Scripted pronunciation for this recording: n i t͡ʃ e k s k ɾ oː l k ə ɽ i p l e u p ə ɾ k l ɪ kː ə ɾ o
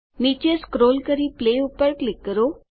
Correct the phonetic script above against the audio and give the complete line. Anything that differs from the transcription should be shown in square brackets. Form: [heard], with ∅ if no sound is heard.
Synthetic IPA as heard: n i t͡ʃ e [∅] s k ɾ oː l k ə [ɾ] i p l e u p ə ɾ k l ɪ kː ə ɾ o